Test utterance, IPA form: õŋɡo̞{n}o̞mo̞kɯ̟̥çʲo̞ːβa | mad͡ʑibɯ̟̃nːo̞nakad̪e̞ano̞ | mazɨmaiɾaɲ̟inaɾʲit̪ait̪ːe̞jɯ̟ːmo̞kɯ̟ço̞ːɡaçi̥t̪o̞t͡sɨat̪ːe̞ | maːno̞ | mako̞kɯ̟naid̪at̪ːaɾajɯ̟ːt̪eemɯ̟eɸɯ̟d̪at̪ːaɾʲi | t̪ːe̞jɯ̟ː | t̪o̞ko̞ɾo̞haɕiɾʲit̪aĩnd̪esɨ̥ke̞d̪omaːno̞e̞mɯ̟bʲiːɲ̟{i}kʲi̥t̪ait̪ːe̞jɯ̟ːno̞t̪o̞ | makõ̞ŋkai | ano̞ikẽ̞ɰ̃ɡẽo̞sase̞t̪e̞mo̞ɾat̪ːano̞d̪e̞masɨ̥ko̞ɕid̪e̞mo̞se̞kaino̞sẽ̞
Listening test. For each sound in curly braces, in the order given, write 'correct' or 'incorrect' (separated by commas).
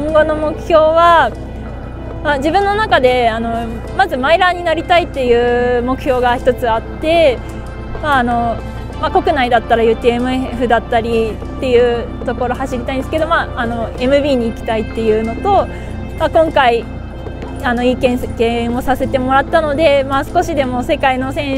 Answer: correct, incorrect